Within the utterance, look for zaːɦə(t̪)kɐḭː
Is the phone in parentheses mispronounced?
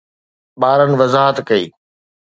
no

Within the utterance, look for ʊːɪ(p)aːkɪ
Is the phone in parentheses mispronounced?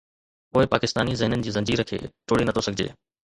no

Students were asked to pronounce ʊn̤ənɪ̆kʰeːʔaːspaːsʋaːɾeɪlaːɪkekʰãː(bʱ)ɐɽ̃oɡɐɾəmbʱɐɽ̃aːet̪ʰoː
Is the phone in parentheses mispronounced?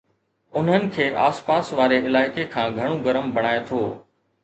yes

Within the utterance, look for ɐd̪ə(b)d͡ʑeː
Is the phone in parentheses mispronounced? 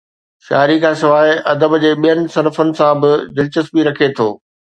no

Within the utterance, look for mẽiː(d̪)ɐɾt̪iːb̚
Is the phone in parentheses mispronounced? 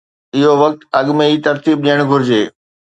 yes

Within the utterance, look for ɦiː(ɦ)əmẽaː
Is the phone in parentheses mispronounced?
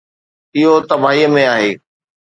yes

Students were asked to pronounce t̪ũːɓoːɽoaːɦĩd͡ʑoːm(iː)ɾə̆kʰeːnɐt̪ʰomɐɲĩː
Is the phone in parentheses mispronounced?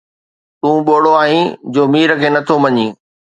no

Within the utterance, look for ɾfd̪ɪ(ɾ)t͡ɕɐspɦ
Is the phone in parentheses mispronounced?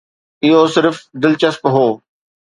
yes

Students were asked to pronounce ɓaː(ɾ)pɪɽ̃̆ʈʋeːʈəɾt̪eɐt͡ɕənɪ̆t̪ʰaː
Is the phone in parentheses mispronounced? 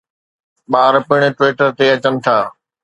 no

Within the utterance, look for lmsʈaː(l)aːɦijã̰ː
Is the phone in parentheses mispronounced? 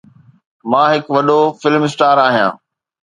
yes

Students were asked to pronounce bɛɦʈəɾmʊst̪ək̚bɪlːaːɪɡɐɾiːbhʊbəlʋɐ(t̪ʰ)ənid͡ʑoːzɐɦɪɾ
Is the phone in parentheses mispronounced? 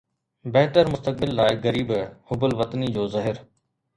yes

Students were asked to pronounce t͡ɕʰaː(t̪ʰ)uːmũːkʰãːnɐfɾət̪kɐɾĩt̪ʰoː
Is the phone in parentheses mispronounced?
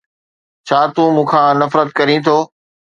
yes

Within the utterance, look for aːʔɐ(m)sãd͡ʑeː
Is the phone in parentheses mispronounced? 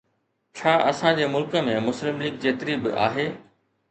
yes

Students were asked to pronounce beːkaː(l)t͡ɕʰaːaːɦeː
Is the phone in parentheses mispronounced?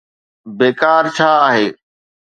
yes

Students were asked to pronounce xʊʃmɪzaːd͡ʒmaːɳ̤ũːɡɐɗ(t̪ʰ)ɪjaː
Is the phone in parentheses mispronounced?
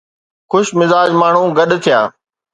no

